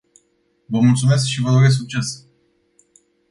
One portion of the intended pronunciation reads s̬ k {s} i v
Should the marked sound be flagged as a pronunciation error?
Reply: yes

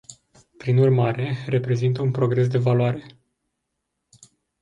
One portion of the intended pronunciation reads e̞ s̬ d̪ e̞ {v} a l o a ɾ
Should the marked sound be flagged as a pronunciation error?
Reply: no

